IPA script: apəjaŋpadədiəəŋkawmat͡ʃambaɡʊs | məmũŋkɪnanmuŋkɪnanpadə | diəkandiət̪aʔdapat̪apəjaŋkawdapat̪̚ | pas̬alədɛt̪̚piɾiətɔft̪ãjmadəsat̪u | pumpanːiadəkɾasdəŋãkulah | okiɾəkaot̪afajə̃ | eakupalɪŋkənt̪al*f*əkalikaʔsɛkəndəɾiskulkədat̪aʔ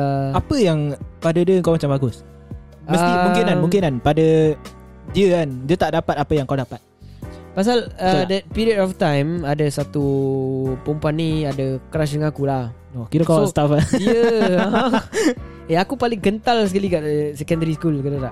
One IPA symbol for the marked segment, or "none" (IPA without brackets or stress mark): s